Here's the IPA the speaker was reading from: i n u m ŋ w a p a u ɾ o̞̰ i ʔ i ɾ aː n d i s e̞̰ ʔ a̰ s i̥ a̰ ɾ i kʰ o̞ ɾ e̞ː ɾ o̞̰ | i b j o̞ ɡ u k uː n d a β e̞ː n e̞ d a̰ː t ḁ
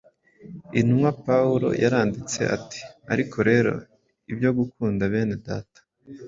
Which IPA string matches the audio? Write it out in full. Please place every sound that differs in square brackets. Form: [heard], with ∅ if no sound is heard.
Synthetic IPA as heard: i n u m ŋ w a p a u ɾ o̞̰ [j] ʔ [a] ɾ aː n d i [t͡s] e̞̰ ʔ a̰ [t] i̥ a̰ ɾ i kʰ o̞ ɾ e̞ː ɾ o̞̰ | i b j o̞ ɡ u k uː n d a β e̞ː n e̞ d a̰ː t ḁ